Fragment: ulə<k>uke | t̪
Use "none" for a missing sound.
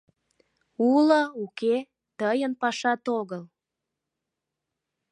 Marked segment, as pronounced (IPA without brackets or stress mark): none